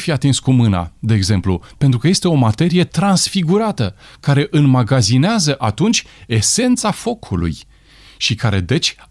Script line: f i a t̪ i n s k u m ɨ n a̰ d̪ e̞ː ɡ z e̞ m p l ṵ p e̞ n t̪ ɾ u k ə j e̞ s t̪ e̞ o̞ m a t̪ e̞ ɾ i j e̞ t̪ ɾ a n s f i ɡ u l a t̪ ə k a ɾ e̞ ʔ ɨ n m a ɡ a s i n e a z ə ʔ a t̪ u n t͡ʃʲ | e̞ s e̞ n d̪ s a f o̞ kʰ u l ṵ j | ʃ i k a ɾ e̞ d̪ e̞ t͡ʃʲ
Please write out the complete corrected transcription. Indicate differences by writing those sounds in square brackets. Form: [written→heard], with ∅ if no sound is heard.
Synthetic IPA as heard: f i a t̪ i n s k u m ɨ n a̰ d̪ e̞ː ɡ z e̞ m p l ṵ p e̞ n t̪ ɾ u k ə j e̞ s t̪ e̞ o̞ m a t̪ e̞ ɾ i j e̞ t̪ ɾ a n s f i ɡ u [l→ɾ] a t̪ ə k a ɾ e̞ ʔ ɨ n m a ɡ a [s→z] i n e a z ə ʔ a t̪ u n t͡ʃʲ | e̞ s e̞ n [d̪→t̪] s a f o̞ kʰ u l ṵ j | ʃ i k a ɾ e̞ d̪ e̞ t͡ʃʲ